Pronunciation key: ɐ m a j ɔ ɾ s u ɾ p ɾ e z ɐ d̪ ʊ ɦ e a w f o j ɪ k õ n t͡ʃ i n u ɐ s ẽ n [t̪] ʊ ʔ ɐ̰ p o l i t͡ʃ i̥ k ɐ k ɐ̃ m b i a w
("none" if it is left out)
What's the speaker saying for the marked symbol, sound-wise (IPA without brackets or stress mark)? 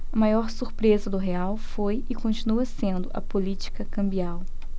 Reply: d̪